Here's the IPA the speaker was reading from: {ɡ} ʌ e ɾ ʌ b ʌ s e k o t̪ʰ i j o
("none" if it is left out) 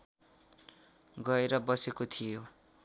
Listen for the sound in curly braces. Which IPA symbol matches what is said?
ɡ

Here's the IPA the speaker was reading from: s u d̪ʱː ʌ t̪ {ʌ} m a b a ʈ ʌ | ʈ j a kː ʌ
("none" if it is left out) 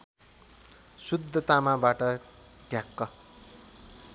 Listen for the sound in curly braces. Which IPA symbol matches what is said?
a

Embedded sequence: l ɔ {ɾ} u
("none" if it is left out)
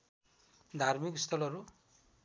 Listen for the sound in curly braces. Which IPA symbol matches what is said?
ɾ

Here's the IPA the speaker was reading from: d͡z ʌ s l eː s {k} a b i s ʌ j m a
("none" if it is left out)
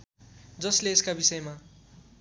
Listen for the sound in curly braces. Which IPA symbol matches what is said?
k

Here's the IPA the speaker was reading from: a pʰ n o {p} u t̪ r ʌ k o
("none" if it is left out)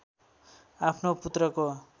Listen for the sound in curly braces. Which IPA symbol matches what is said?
p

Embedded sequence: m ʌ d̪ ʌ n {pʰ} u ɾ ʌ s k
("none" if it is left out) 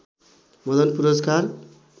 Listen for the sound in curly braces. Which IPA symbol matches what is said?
p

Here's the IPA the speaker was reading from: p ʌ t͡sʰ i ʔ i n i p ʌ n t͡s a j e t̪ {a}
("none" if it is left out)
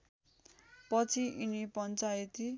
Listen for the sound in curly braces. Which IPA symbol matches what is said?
i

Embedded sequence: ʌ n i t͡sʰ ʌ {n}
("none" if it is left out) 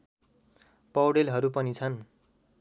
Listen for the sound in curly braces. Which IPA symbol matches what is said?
n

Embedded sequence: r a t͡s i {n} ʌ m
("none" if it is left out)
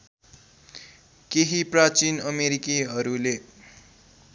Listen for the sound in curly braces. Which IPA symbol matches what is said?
n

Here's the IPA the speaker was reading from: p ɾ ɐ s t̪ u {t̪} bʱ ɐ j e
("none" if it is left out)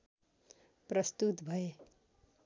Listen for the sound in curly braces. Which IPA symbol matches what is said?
t̪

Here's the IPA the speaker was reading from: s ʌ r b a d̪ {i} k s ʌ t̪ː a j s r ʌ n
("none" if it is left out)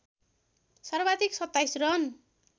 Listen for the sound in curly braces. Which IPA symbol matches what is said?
i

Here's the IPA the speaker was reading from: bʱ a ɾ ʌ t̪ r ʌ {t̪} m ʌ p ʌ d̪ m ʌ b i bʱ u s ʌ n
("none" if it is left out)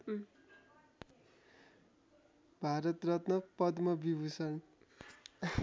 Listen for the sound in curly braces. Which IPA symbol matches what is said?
t̪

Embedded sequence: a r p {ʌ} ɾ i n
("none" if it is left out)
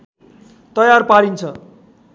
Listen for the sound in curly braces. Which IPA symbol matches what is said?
a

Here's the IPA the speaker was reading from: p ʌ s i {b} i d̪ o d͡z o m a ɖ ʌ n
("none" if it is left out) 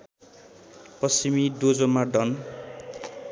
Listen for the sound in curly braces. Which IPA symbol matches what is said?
m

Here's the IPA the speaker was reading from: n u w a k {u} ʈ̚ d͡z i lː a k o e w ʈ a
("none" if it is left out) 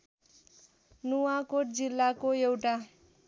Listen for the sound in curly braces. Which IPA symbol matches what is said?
o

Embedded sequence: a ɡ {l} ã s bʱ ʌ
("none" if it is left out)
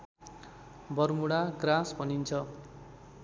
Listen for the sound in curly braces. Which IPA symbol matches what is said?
r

